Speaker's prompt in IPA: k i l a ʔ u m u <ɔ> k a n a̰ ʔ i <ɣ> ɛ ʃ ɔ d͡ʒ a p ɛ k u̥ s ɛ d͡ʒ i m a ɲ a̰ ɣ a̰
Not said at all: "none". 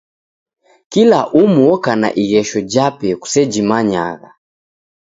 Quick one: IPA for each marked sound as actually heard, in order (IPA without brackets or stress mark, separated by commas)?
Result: ɔ, ɣ